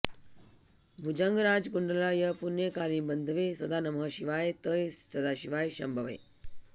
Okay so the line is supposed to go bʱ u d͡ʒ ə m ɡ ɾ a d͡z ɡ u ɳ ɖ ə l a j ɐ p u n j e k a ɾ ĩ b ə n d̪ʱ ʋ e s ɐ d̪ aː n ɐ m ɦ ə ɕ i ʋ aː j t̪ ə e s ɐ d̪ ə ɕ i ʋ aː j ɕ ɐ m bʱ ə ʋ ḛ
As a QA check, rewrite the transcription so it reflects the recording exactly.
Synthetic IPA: bʱ u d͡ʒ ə ŋ ɡ ɾ a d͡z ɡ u ɳ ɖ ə l a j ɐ p u n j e k a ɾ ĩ b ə n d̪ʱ ʋ e s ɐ d̪ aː n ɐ m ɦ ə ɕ i ʋ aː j t̪ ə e s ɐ d̪ a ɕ i ʋ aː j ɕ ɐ m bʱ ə ʋ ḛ

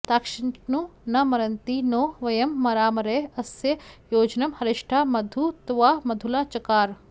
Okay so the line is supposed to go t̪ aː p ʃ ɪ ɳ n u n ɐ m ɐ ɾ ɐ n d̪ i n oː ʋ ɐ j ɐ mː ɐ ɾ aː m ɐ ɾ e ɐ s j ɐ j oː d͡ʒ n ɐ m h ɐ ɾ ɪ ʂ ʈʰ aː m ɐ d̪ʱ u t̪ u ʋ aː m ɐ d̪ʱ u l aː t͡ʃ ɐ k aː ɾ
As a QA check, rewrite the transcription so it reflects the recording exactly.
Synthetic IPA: t̪ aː k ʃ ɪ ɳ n u n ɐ m ɐ ɾ ɐ n t̪ i n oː ʋ ɐ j ɐ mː ɐ ɾ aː m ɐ ɾ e ɐ s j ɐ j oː d͡ʒ n ɐ m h ɐ ɾ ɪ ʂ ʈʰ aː m ɐ d̪ʱ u t̪ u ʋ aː m ɐ d̪ʱ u l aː t͡ʃ ɐ k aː ɾ

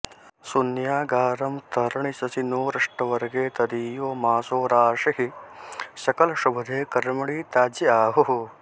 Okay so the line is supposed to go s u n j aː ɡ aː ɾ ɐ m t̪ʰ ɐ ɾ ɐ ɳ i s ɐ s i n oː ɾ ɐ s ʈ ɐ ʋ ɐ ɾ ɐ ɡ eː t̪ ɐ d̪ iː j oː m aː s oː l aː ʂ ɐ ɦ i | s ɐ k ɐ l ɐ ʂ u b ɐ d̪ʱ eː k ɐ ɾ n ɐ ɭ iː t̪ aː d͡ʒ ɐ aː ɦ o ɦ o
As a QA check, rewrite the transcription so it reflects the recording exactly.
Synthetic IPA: s u n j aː ɡ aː ɾ ɐ m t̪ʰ ɐ ɾ ɐ ɳ i s ɐ s i n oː ɾ ɐ ʂ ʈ ɐ ʋ ɐ ɾ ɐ ɡ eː t̪ ɐ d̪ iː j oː m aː s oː ɾ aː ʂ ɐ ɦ i | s ɐ k ɐ l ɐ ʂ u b ɐ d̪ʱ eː k ɐ ɾ m ɐ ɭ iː t̪ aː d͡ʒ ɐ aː ɦ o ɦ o

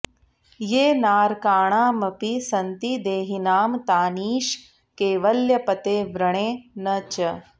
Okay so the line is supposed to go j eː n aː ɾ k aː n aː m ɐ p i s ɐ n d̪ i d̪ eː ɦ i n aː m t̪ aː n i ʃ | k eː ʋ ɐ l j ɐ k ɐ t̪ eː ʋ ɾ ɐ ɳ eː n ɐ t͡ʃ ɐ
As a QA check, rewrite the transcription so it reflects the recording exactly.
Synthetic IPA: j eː n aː ɾ k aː ɳ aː m ɐ p i s ɐ n t̪ i d̪ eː ɦ i n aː m t̪ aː n iː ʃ | k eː ʋ ɐ l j ɐ p ɐ t̪ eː ʋ ɾ ɐ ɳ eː n ɐ t͡ʃ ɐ

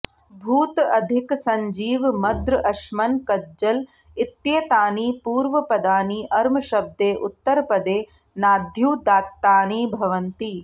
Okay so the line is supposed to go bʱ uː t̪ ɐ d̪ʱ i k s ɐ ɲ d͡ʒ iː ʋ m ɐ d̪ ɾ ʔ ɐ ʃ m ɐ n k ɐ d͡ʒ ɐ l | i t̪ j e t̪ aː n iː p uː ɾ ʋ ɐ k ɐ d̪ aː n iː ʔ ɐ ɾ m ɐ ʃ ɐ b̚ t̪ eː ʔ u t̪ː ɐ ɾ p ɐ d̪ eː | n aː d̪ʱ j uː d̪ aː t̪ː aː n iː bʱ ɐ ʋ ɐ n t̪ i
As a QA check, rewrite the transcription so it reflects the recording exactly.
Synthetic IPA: bʱ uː t̪ ɐ d̪ʱ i k s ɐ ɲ d͡ʒ iː ʋ m ɐ d̪ ɾ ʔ ɐ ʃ m ɐ n k ɐ d͡ʒ ɐ l | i t̪ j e t̪ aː n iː p uː ɾ ʋ ɐ p ɐ d̪ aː n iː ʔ ɐ ɾ m ɐ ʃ ɐ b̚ d̪ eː ʔ u t̪ː ɐ ɾ p ɐ d̪ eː | n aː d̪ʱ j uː d̪ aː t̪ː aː n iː bʱ ɐ ʋ ɐ n t̪ i

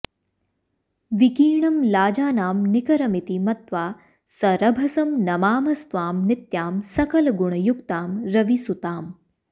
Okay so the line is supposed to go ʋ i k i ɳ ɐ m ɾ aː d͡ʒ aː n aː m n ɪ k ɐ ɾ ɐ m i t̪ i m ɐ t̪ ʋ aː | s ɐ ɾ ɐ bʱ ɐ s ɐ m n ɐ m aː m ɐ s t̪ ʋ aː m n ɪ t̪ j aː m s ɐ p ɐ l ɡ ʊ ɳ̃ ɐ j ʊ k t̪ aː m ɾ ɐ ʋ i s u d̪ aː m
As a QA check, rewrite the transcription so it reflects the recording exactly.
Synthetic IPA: ʋ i k iː ɳ ɐ m l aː d͡ʒ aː n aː m n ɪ k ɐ ɾ ɐ m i t̪ i m ɐ t̪ ʋ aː | s ɐ ɾ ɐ bʱ ɐ s ɐ m n ɐ m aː m ɐ s t̪ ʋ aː m n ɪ t̪ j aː m s ɐ k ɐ l ɡ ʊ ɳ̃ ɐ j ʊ k t̪ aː m ɾ ɐ ʋ i s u t̪ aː m

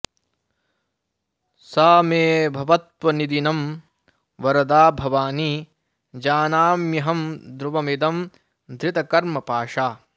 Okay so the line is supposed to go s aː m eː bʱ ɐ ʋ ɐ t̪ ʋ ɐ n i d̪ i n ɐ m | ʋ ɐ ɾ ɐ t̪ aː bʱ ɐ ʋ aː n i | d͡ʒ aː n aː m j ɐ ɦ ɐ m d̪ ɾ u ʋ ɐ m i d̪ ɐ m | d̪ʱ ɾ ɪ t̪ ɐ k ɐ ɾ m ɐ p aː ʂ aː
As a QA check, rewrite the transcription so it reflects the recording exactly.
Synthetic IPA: s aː m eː bʱ ɐ ʋ ɐ t̪ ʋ ɐ n i d̪ i n ɐ m | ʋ ɐ ɾ ɐ d̪ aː bʱ ɐ ʋ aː n i | d͡ʒ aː n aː m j ɐ ɦ ɐ m d̪ ɾ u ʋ ɐ m i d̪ ɐ m | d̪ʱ ɾ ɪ t̪ ɐ k ɐ ɾ m ɐ p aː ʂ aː

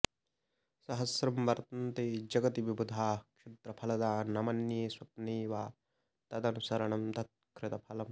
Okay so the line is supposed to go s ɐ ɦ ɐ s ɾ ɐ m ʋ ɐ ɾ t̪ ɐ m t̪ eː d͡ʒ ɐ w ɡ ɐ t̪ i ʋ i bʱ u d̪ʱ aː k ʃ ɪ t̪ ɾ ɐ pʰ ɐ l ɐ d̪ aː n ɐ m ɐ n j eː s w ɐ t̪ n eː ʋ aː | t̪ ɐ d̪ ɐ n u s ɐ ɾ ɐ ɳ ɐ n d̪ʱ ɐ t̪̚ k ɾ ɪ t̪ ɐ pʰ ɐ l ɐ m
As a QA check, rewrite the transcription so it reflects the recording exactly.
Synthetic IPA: s ɐ ɦ ɐ s ɾ ɐ m ʋ ɐ ɾ t̪ ɐ n t̪ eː d͡ʒ ɐ ɡ ɐ t̪ i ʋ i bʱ u d̪ʱ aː k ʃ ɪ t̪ ɾ ɐ pʰ ɐ l ɐ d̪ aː n ɐ m ɐ n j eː s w ɐ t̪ n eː ʋ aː | t̪ ɐ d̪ ɐ n u s ɐ ɾ ɐ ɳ ɐ m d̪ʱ ɐ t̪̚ k ɾ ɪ t̪ ɐ pʰ ɐ l ɐ m

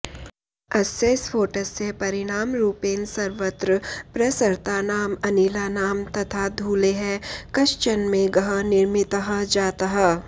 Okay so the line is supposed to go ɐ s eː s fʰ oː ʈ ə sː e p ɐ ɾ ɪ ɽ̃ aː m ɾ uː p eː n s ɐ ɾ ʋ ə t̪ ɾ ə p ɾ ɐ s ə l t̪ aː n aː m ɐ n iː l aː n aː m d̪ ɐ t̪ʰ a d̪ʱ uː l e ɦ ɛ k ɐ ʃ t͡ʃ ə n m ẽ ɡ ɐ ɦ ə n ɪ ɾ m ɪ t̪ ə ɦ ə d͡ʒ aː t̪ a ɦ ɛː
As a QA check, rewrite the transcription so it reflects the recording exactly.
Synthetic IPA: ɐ s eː s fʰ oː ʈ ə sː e p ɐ ɾ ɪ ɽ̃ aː m ɾ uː p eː n s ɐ ɾ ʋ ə t̪ ɾ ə p ɾ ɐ s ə ɾ t̪ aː n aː m ɐ n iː l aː n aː m t̪ ɐ t̪ʰ a d̪ʱ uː l e ɦ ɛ k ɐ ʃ t͡ʃ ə n m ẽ ɡ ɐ ɦ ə n ɪ ɾ m ɪ t̪ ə ɦ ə d͡ʒ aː t̪ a ɦ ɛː

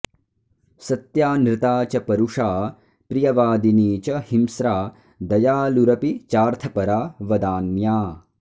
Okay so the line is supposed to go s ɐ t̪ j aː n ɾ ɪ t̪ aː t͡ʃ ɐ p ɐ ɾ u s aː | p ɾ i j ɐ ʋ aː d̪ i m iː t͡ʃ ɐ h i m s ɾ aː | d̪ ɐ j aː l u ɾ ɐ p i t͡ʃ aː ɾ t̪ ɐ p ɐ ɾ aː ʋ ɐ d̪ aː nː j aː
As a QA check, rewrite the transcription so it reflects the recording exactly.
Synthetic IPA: s ɐ t̪ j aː n ɾ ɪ t̪ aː t͡ʃ ɐ p ɐ ɾ u ʂ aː | p ɾ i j ɐ ʋ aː d̪ i n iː t͡ʃ ɐ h i m s ɾ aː | d̪ ɐ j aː l u ɾ ɐ p i t͡ʃ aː ɾ t̪ʰ ɐ p ɐ ɾ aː ʋ ɐ d̪ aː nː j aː

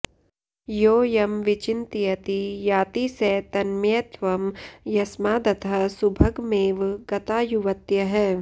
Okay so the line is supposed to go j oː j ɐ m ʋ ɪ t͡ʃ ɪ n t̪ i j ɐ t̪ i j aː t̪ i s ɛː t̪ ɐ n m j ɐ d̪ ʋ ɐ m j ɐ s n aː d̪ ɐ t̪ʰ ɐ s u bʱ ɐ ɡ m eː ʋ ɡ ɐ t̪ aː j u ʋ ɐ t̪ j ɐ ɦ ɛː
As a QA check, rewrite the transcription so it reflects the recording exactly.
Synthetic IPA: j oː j ɐ m ʋ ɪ t͡ʃ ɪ n t̪ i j ɐ t̪ i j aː t̪ i s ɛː t̪ ɐ n m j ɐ t̪ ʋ ɐ m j ɐ s m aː d̪ ɐ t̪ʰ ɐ s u bʱ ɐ ɡ m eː ʋ ɡ ɐ t̪ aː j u ʋ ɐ t̪ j ɐ ɦ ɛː

